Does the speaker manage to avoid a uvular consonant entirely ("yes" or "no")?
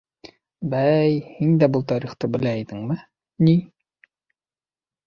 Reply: no